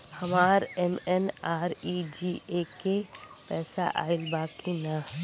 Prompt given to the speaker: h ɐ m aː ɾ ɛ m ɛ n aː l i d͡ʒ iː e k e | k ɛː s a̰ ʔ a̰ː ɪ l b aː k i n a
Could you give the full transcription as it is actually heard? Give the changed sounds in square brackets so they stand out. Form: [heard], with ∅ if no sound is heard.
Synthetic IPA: h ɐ m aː ɾ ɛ m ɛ n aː [ɾ] i d͡ʒ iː e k e | [p] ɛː s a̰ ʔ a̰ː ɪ l b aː k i n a